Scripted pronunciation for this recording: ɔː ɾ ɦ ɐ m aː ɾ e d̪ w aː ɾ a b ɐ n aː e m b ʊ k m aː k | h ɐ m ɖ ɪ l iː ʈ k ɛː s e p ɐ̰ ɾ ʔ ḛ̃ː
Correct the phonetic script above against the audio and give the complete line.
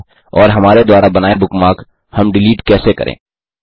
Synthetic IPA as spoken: ɔː ɾ ɦ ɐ m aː ɾ e d̪ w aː ɾ a b ɐ n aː e b ʊ k m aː k | h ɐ m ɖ ɪ l iː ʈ k ɛː s e k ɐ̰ ɾ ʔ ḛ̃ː